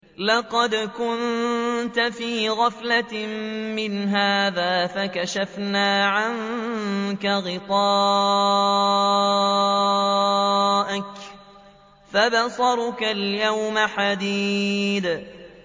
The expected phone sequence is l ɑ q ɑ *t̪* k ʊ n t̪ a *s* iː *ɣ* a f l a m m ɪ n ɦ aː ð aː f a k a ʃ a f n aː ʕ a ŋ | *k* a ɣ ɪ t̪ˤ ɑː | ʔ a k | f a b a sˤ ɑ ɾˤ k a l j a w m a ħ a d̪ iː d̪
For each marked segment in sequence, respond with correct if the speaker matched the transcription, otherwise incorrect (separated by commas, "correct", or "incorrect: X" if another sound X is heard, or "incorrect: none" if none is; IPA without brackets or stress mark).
incorrect: d̪, incorrect: f, correct, correct